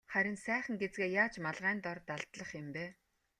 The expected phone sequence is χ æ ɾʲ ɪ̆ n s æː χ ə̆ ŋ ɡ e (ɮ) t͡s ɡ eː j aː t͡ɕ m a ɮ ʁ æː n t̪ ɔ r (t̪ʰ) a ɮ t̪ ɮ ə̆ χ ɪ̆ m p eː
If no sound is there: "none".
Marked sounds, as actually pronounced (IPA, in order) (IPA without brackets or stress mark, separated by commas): none, t̪